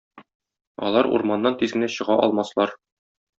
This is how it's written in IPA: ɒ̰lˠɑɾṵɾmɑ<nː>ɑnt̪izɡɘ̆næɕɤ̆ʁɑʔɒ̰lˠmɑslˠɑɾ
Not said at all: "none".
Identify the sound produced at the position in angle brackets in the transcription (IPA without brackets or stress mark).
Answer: nː